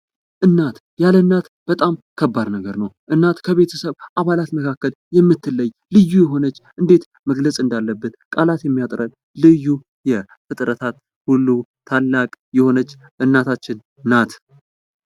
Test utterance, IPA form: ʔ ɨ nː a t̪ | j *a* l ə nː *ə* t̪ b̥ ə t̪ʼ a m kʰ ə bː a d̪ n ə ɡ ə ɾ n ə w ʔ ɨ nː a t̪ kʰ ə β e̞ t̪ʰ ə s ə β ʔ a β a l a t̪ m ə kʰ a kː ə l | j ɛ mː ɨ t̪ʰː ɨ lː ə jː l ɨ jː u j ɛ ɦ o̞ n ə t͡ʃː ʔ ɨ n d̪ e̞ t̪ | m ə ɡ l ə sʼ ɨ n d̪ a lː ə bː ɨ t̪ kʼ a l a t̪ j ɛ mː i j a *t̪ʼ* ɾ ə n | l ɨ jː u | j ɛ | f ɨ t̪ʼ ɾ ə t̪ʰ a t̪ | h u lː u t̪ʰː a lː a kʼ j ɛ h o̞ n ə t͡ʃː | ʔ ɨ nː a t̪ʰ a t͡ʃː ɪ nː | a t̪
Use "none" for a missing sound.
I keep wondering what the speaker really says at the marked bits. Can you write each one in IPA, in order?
a, a, t̪ʼ

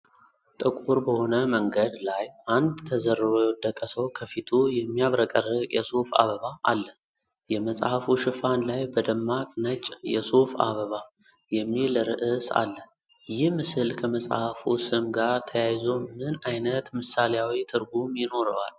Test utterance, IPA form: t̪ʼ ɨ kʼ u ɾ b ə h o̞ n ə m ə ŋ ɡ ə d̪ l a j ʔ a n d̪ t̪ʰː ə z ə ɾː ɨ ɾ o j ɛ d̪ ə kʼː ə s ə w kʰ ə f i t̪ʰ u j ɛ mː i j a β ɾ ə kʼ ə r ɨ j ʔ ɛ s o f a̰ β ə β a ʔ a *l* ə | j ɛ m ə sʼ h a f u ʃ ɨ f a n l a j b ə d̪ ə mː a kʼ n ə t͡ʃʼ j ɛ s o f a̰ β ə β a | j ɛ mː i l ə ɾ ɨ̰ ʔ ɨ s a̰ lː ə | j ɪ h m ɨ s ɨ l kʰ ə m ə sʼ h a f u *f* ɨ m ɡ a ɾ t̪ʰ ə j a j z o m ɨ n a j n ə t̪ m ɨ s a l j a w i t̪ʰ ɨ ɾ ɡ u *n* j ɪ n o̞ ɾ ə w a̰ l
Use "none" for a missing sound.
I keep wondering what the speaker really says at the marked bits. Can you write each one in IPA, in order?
lː, s, m

